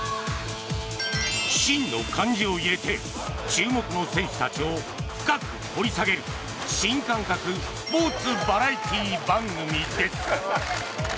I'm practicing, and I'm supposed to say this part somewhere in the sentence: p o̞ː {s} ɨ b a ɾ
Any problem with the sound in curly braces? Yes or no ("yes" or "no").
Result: yes